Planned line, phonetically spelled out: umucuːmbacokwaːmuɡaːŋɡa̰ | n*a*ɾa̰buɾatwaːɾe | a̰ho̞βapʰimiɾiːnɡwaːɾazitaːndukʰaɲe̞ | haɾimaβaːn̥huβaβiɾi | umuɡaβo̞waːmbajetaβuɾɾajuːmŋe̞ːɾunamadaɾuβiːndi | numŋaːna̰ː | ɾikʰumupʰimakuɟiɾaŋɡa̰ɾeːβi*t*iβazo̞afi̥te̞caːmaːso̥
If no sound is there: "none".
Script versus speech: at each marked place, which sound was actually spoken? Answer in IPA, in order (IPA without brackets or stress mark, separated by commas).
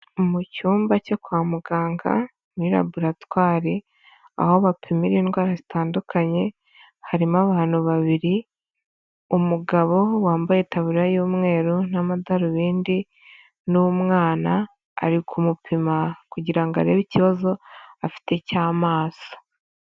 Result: i, c